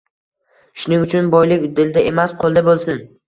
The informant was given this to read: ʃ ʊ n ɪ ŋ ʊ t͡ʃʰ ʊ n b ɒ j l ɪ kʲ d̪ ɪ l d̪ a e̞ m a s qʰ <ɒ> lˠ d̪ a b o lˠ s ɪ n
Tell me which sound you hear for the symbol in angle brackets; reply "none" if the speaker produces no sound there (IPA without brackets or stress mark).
o